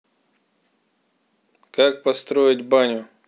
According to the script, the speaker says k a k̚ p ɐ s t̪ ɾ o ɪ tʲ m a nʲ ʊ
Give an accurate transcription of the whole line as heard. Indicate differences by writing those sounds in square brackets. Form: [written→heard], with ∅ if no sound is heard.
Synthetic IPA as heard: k a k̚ p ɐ s t̪ ɾ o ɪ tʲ [m→b] a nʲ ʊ